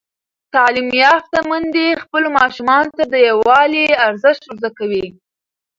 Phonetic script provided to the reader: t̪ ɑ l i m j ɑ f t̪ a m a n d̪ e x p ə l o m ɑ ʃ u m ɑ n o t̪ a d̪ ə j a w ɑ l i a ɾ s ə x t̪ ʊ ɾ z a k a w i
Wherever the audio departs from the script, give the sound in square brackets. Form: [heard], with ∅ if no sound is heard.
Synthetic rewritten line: t̪ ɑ l i m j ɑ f t̪ a m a n d̪ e x p ə l o m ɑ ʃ u m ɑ n o t̪ a d̪ ə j a w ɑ l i a ɾ [z] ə [ʃ] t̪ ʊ ɾ z a k a w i